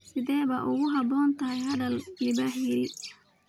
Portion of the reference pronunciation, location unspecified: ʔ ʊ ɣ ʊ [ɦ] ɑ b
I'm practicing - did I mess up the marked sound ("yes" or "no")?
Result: no